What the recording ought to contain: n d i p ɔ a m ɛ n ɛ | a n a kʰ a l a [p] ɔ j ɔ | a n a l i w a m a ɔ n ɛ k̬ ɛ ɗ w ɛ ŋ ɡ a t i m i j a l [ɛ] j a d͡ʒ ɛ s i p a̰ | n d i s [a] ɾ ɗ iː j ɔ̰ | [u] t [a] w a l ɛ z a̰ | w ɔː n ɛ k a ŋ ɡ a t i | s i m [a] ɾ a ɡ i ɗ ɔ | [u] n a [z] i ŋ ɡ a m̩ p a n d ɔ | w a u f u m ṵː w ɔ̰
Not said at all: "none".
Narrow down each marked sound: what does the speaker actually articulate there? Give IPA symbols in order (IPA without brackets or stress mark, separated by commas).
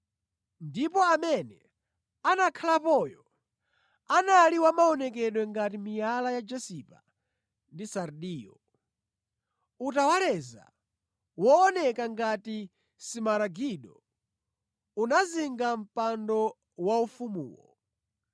p, a, a, u, a, a, u, z